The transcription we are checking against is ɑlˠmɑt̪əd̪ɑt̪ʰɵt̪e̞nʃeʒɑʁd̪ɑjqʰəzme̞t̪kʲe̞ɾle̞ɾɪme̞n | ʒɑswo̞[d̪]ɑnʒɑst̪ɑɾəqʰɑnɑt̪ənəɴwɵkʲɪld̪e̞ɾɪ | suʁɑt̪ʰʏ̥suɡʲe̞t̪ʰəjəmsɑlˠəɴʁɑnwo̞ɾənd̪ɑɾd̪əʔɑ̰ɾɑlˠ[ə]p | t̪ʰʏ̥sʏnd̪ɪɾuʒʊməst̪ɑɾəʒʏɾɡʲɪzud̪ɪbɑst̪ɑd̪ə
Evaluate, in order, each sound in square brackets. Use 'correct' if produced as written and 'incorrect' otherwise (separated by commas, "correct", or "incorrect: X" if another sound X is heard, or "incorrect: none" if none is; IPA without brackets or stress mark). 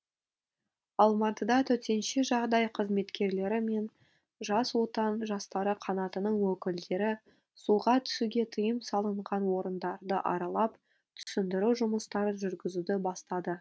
incorrect: t̪, incorrect: ɑ